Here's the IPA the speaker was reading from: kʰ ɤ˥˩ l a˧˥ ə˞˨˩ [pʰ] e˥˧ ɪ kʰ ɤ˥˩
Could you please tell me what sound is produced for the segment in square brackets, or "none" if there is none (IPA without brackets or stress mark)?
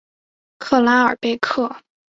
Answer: p